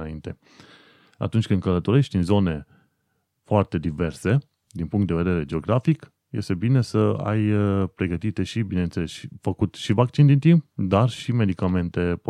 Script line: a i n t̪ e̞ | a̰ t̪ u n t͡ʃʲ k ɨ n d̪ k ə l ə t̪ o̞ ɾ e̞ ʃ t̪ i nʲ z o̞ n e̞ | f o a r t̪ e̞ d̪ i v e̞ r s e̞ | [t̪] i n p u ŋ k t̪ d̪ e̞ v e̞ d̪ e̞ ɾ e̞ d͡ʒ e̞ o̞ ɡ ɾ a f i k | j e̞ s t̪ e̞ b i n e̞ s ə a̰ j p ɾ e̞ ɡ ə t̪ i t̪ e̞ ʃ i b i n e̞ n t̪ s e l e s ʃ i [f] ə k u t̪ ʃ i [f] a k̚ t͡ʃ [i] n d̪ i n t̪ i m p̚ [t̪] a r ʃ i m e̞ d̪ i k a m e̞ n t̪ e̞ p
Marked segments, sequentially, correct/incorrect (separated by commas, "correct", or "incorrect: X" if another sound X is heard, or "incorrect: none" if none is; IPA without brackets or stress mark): incorrect: d̪, correct, incorrect: v, correct, incorrect: d̪